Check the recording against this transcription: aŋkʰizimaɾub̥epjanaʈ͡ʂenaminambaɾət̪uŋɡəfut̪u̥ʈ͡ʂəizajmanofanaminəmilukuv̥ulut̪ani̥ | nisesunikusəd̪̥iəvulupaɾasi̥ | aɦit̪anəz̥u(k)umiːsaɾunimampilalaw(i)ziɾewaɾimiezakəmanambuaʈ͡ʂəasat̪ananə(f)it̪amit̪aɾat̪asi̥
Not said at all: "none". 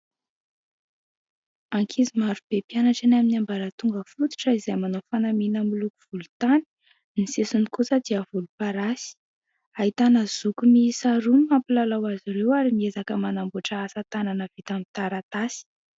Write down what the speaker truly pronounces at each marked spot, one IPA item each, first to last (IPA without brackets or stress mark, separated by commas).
k, a, v